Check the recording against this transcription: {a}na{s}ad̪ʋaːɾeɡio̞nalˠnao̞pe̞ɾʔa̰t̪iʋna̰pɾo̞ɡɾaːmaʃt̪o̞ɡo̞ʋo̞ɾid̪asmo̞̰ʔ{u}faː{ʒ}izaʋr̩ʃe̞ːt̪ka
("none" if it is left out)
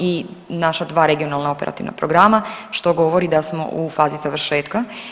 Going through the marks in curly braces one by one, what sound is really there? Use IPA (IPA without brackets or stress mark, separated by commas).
i, ʃ, u, z